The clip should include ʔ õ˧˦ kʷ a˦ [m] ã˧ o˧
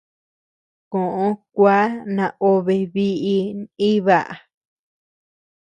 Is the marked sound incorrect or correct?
incorrect